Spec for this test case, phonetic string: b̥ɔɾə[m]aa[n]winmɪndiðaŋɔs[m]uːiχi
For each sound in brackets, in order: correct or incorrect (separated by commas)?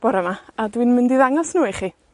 correct, incorrect, incorrect